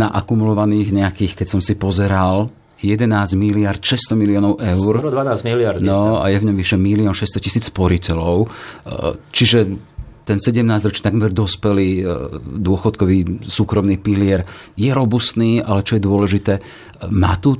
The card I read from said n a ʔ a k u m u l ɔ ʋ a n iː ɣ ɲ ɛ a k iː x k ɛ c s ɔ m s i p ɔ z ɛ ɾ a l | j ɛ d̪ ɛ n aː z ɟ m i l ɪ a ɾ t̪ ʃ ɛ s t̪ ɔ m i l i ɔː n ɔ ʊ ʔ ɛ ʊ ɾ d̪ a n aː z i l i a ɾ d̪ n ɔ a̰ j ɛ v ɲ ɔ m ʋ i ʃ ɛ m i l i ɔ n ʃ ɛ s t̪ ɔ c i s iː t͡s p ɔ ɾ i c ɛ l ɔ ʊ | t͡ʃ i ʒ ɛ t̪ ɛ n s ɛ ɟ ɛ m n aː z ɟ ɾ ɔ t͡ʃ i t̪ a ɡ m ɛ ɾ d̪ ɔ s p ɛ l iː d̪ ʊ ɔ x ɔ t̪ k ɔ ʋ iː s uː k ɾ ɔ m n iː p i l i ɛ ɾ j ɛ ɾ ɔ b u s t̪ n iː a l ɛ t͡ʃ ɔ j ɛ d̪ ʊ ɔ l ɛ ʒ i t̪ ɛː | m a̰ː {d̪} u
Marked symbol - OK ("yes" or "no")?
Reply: no